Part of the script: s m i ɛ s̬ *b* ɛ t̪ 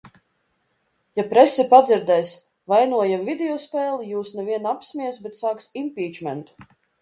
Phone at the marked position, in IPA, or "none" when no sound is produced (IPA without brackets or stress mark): b